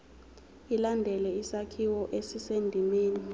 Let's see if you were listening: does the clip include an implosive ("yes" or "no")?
no